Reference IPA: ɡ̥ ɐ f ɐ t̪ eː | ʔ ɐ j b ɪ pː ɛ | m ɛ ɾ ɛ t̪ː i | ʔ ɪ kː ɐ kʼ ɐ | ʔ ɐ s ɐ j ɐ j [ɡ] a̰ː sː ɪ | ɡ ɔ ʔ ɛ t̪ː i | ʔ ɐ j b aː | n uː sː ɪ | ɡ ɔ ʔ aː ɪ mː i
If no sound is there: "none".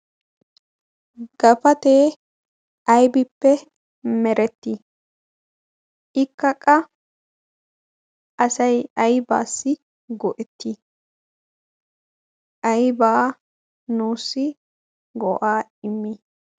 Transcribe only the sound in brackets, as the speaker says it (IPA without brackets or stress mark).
b